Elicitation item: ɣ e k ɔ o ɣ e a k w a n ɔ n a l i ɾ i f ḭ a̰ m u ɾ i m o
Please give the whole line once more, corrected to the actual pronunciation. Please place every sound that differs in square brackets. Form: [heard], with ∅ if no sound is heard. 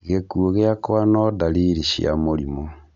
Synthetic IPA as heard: ɣ e k [u] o ɣ e a k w a n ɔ [d] a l i ɾ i [ʃ] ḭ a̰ m [o] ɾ i m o